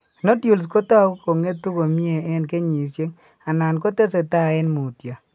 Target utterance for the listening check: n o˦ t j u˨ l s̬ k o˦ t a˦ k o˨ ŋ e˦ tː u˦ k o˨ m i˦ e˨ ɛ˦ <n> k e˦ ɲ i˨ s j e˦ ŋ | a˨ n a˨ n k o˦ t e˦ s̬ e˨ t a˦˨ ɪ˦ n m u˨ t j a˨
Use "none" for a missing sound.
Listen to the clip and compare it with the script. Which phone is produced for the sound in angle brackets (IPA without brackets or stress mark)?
n